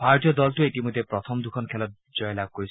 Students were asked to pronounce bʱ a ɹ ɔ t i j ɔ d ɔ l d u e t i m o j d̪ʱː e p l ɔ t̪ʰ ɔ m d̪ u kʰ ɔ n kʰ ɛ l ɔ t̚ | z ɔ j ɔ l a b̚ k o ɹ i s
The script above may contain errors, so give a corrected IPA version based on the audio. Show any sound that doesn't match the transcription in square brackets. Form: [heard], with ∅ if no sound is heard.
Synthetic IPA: bʱ a ɹ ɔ t i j ɔ d ɔ l [t] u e t i m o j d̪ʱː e p [ɹ] ɔ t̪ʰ ɔ m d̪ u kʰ ɔ n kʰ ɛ l ɔ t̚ | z ɔ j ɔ l a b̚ k o ɹ i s